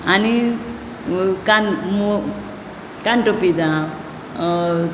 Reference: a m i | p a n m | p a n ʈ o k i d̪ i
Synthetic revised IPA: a n i | k a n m | k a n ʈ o p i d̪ a